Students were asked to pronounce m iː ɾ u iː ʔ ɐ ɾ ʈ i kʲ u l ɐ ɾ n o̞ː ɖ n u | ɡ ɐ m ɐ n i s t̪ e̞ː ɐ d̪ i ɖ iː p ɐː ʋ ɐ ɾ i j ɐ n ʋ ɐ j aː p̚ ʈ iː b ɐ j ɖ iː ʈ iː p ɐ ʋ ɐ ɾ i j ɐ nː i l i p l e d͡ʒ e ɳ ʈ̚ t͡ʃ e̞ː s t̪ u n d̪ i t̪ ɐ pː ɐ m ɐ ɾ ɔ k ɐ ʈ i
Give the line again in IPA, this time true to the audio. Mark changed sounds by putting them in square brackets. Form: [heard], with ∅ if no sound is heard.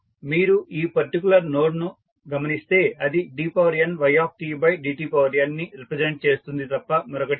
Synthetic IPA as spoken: m iː ɾ u iː [p] ɐ ɾ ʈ i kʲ u l ɐ ɾ n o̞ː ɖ n u | ɡ ɐ m ɐ n i s t̪ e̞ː ɐ d̪ i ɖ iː p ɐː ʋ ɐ ɾ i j ɐ n ʋ ɐ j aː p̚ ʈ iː b ɐ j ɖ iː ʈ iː p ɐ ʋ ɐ ɾ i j ɐ nː i [ɾ] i p [ɾ] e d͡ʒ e ɳ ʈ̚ t͡ʃ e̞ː s t̪ u n d̪ i t̪ ɐ pː ɐ m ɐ ɾ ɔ k ɐ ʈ i

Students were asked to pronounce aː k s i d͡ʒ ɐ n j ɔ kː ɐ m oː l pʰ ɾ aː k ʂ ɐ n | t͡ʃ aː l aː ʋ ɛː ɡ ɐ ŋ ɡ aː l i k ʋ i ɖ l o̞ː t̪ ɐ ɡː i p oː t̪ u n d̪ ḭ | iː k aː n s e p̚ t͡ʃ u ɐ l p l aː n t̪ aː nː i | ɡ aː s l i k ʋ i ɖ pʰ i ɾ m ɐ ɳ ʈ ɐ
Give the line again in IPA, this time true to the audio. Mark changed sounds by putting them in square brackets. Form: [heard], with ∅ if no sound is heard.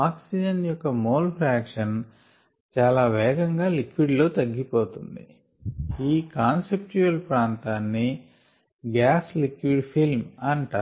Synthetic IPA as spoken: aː k s i d͡ʒ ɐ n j ɔ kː ɐ m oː l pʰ ɾ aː k ʂ ɐ n | t͡ʃ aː l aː ʋ ɛː ɡ ɐ ŋ ɡ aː l i k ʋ i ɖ l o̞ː t̪ ɐ ɡː i p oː t̪ u n d̪ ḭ | iː k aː n s e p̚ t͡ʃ u ɐ l p [ɾ] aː n t̪ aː nː i | ɡ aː s l i k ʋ i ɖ pʰ i [l] m ɐ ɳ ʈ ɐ

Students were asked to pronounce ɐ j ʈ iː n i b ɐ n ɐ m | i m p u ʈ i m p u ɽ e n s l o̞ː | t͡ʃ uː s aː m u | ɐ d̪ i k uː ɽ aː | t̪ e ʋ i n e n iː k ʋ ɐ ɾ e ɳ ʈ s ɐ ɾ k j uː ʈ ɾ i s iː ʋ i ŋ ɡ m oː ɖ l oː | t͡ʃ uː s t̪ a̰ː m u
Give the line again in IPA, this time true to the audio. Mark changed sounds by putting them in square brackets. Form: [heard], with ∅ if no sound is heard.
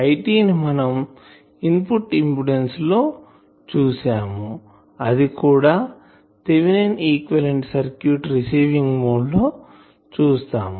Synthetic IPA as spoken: ɐ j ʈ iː n i [m] ɐ n ɐ m | i m p u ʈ i m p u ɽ e n s l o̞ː | t͡ʃ uː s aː m u | ɐ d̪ i k uː ɽ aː | t̪ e ʋ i n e n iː k ʋ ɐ [l] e ɳ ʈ s ɐ ɾ k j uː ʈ ɾ i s iː ʋ i ŋ ɡ m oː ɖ l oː | t͡ʃ uː s t̪ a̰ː m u

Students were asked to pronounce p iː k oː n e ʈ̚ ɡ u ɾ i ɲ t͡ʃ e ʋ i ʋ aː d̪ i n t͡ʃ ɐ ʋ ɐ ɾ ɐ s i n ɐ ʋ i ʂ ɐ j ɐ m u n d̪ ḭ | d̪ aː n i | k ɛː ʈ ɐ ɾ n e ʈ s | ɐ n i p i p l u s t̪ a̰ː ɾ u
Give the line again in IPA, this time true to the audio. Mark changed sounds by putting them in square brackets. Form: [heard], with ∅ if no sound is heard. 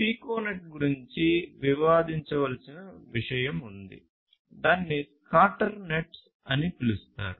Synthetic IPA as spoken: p iː k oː n e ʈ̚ ɡ u ɾ i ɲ t͡ʃ [i] ʋ i ʋ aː d̪ i [ɲ] t͡ʃ ɐ ʋ ɐ [l] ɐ s i n ɐ ʋ i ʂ ɐ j ɐ m u n d̪ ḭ | d̪ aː [nː] i | k [aː] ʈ ɐ ɾ n e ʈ s | ɐ n i p i [∅] l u s t̪ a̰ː ɾ u

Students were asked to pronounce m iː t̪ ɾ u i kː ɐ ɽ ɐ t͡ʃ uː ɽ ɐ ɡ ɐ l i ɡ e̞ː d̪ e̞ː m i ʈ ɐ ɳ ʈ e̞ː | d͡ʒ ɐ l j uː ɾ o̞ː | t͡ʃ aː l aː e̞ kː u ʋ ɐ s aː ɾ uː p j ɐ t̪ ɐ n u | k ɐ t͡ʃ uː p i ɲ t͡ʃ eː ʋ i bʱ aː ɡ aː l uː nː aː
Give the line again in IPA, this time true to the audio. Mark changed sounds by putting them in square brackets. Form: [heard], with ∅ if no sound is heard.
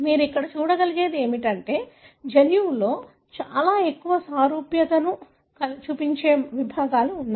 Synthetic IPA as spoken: m iː [∅] ɾ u i kː ɐ ɽ ɐ t͡ʃ uː ɽ ɐ ɡ ɐ l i ɡ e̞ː d̪ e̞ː m i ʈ ɐ ɳ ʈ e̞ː | d͡ʒ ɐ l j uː [l] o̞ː | t͡ʃ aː l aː e̞ kː u ʋ ɐ s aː ɾ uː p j ɐ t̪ ɐ n u | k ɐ t͡ʃ uː p i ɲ t͡ʃ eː ʋ i bʱ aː ɡ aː l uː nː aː

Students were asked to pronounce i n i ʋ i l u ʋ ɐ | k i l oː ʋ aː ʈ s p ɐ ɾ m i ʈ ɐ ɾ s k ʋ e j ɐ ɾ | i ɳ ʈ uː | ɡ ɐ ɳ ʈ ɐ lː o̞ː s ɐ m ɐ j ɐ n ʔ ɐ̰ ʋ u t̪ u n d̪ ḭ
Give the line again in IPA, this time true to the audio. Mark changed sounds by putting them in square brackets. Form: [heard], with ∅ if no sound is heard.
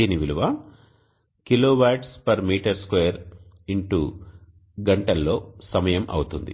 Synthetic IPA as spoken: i n i ʋ i l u ʋ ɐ | k i l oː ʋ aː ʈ s p ɐ ɾ m [iː] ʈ ɐ ɾ s k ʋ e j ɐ ɾ | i ɳ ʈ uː | ɡ ɐ ɳ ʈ ɐ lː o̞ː s ɐ m ɐ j ɐ [m] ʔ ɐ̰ [w] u t̪ u n d̪ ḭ

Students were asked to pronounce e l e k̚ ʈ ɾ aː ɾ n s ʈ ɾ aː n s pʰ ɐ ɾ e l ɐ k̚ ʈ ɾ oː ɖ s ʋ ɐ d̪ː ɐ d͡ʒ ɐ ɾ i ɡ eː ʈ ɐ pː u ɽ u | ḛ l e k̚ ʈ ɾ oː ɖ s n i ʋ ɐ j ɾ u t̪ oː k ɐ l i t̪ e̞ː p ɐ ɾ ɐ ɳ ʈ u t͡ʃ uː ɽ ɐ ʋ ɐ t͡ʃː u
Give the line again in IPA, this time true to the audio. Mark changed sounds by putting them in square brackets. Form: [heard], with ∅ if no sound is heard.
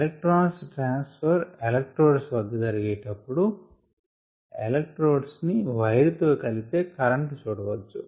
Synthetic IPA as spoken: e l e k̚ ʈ ɾ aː [∅] n s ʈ ɾ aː n s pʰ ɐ ɾ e l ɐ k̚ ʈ ɾ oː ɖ s ʋ ɐ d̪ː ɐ d͡ʒ ɐ ɾ i ɡ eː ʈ ɐ pː u ɽ u | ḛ l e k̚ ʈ ɾ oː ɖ s n i ʋ ɐ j ɾ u t̪ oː k ɐ l i t̪ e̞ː [k] ɐ ɾ ɐ ɳ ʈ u t͡ʃ uː ɽ ɐ ʋ ɐ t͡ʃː u

